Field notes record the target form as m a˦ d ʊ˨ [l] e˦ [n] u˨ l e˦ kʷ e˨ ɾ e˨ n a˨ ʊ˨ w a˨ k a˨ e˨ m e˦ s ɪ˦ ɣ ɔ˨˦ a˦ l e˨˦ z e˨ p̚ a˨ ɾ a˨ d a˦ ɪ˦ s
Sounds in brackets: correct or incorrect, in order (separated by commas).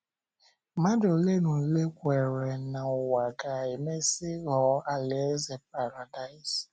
correct, correct